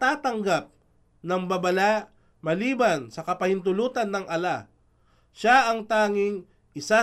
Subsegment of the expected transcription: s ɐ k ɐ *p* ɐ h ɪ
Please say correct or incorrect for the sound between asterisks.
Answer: correct